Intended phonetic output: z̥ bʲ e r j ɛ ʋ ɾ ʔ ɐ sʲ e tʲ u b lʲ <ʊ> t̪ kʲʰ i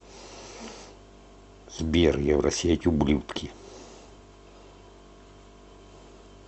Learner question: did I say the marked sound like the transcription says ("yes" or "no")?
no